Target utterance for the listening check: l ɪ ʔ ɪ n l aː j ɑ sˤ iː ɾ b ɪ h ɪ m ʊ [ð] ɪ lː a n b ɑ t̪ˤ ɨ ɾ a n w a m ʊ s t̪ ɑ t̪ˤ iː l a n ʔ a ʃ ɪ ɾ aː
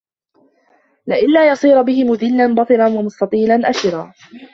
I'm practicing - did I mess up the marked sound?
no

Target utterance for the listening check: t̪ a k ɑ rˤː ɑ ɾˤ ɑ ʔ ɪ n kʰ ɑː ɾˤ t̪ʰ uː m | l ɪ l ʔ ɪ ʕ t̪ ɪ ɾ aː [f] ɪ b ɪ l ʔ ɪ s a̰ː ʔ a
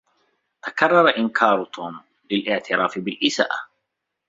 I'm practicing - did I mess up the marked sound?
no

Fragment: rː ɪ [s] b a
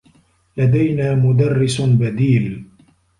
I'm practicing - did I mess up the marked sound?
no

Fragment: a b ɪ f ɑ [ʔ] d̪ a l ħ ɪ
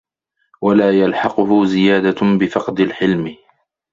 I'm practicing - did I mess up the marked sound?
yes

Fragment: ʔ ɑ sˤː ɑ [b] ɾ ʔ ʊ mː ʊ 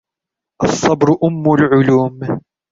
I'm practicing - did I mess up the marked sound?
no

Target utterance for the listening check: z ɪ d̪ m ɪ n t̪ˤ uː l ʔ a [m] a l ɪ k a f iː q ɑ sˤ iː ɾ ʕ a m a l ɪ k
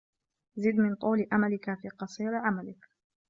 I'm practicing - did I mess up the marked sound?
no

